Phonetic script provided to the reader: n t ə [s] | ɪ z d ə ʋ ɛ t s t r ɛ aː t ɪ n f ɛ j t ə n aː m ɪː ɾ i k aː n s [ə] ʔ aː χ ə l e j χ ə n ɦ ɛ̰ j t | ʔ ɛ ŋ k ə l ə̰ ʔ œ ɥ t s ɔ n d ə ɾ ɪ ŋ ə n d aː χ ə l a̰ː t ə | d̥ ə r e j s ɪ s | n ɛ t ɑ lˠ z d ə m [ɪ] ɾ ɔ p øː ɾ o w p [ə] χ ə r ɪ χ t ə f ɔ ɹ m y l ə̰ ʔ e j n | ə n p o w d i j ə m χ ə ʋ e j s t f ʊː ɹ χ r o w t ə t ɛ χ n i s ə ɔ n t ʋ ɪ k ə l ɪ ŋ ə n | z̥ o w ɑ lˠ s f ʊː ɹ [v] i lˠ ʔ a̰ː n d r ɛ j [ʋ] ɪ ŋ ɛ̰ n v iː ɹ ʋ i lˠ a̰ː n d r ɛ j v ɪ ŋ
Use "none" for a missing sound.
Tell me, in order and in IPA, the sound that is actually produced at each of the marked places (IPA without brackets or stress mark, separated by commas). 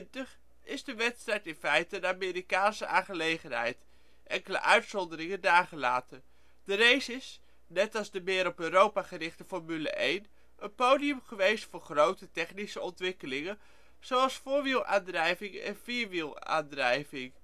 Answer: χ, ə, ɪː, a, ʋ, v